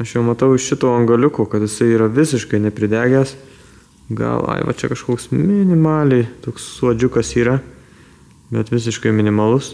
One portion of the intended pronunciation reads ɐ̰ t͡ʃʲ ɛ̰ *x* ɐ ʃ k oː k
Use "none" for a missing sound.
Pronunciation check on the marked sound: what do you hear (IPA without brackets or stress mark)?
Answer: k